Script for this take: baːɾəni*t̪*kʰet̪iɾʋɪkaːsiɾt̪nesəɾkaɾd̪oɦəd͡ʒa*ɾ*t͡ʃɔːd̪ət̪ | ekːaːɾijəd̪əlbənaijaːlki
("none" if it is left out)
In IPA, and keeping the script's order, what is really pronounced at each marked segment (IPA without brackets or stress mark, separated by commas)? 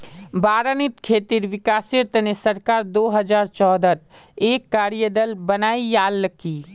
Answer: t̪, ɾ